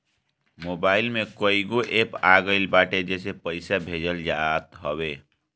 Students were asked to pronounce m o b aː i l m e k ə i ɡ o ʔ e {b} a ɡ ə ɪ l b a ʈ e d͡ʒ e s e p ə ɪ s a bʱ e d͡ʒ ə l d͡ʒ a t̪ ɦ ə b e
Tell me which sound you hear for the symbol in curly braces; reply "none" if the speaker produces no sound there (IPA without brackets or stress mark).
p